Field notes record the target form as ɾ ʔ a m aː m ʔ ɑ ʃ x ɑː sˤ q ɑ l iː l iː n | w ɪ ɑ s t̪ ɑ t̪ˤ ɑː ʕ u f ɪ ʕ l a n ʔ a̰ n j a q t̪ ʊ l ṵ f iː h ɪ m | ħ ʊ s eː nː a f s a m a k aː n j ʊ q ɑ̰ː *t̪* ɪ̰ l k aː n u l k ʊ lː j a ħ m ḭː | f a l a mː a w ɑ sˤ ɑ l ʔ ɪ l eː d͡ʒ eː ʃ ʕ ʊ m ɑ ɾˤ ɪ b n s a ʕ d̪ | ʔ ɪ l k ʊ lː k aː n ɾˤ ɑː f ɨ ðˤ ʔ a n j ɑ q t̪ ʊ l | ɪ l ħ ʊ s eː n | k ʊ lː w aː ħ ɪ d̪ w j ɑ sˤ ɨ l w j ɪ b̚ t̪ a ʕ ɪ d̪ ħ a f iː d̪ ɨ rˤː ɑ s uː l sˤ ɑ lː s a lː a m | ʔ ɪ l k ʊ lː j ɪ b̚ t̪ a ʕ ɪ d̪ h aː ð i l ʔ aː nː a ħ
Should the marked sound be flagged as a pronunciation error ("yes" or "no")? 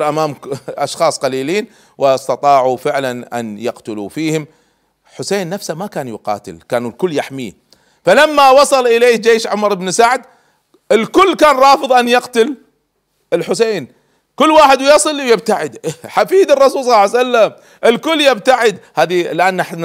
no